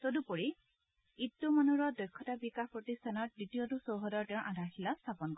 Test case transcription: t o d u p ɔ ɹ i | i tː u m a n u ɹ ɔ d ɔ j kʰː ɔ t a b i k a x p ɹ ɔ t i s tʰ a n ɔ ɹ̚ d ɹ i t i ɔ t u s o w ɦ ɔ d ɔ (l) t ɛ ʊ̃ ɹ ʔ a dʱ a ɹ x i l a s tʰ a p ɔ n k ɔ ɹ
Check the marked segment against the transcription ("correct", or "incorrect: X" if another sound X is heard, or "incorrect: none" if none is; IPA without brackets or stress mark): incorrect: ɹ